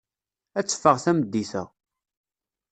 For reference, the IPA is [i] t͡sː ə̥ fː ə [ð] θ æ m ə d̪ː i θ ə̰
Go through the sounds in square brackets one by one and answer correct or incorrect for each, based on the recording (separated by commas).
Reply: incorrect, incorrect